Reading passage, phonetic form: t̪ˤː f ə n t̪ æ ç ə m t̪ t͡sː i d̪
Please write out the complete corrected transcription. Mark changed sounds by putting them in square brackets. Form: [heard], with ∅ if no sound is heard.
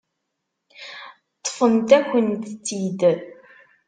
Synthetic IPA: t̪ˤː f ə n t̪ æ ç ə [n] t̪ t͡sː i d̪

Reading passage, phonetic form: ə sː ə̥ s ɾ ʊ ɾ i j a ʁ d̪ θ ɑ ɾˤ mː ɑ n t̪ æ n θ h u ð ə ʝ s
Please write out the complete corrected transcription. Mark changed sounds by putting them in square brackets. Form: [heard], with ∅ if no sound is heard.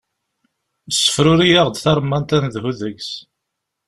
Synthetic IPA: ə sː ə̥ [f] ɾ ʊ ɾ i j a ʁ d̪ θ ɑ ɾˤ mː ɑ n t̪ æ n [ð] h u ð ə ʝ s

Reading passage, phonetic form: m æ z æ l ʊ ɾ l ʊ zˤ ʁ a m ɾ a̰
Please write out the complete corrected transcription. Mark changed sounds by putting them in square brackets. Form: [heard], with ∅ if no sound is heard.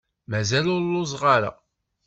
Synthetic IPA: m æ z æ l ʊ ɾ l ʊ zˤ ʁ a [∅] ɾ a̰

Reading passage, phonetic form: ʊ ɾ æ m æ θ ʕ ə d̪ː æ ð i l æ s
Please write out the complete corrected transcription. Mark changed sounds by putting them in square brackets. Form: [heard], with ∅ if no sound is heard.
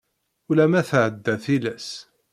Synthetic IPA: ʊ [l] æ m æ θ ʕ ə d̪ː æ [θ] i l æ s

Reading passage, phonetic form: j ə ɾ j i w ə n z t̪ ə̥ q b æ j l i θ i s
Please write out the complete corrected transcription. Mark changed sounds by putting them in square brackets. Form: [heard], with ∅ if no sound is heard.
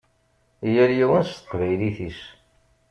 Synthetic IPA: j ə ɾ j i w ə n [s] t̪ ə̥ q [v] æ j l i θ i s

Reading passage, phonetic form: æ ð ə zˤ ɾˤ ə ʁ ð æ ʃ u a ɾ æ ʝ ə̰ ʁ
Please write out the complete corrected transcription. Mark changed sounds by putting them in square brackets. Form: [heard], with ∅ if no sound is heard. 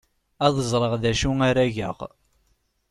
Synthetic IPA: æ ð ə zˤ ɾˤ ə ʁ ð æ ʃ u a ɾ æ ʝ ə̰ ʁ

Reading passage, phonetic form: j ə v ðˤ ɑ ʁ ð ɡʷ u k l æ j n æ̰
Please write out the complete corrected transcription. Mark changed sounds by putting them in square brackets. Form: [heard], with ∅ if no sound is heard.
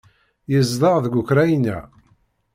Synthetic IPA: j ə [z] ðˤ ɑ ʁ ð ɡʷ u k [ɾ] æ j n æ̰

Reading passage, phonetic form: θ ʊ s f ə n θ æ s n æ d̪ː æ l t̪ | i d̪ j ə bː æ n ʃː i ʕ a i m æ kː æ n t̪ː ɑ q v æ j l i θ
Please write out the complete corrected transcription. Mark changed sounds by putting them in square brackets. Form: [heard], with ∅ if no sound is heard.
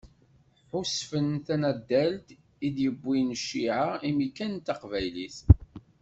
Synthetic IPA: [ħ] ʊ s f ə n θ æ [∅] n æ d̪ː æ l t̪ | i d̪ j ə bː [i] n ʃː i ʕ a i m [i] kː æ n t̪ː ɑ q v æ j l i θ

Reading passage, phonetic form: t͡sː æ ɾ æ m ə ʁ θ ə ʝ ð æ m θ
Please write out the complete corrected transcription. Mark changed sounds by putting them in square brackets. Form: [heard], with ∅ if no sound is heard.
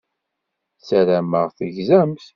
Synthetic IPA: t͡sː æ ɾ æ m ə ʁ θ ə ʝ [z] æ m θ

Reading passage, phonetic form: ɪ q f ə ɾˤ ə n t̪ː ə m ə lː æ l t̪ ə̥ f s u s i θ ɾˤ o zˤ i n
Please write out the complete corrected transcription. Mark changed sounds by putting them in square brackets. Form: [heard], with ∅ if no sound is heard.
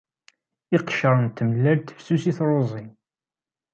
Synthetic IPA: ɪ q [ʃ] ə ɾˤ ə n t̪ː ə m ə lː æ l t̪ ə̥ f s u s i θ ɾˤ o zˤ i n

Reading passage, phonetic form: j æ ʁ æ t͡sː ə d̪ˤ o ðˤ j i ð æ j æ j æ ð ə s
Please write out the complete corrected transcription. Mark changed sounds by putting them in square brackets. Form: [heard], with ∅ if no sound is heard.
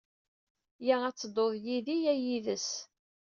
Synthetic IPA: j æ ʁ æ t͡sː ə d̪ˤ o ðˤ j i ð [i] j æ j [i] ð ə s

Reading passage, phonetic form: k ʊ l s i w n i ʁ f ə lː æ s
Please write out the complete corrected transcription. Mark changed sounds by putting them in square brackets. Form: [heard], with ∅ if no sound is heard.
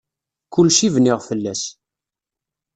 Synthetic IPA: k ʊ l [ʃ] i [v] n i ʁ f ə lː æ s

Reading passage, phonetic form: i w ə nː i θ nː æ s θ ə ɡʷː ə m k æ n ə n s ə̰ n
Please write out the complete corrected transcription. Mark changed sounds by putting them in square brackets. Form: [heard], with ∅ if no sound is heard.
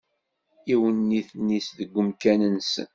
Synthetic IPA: i w ə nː i θ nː [i] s [ð] ə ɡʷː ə m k æ n ə n s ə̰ n

